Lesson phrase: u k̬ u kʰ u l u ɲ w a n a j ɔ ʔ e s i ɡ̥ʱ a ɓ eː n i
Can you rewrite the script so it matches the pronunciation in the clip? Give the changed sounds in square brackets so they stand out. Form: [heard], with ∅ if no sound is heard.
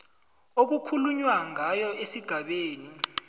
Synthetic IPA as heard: [o] k̬ u kʰ u l u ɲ w a [ŋ] a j ɔ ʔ e s i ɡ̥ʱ a ɓ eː n i